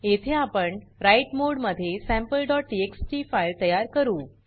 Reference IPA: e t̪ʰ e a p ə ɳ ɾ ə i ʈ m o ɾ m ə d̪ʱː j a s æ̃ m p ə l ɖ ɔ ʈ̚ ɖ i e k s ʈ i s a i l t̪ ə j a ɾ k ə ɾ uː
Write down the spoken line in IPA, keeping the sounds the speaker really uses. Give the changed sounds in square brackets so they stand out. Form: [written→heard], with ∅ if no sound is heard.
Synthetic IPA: e t̪ʰ e a p ə ɳ ɾ [ə→a] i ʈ m o [ɾ→ɽ] m ə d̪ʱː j [a→e] s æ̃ m p ə l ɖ ɔ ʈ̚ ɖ i e k s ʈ i [s→f] a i l t̪ ə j a ɾ k ə ɾ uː